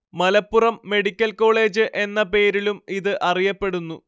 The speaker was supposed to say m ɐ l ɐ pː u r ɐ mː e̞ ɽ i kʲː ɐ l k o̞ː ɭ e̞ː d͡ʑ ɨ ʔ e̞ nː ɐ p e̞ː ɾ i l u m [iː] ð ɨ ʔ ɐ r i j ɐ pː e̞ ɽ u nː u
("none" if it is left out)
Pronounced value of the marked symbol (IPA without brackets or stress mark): i